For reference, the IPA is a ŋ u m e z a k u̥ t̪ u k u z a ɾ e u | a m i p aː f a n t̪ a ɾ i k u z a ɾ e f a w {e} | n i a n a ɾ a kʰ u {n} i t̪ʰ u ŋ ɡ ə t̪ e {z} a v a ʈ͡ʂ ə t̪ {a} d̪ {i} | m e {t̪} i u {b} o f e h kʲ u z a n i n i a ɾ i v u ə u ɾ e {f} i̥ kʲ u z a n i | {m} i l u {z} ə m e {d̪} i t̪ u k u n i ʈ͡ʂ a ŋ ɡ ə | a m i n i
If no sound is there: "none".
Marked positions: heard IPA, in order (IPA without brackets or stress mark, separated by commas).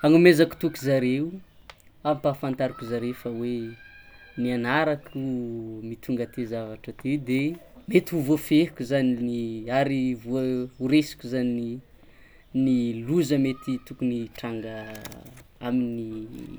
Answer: e, m, z, e, e, t̪, v, s, n, z, t̪